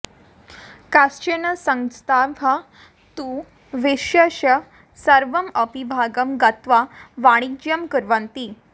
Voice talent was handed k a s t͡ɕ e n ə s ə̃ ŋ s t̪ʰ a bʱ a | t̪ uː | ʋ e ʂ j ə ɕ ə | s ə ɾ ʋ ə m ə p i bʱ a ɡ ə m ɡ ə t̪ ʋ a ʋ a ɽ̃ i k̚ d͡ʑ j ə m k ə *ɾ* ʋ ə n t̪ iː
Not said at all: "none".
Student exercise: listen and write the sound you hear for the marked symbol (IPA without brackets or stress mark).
ɾ